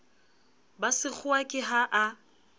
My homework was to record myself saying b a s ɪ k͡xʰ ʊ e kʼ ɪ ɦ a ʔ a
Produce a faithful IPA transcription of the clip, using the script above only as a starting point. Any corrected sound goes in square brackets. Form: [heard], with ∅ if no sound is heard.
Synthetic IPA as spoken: b a s ɪ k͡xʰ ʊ [a] kʼ ɪ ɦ a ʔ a